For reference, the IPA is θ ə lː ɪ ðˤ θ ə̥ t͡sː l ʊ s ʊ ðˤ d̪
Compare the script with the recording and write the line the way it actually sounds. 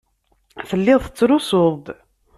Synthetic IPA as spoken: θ ə lː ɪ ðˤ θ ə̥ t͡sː ɾ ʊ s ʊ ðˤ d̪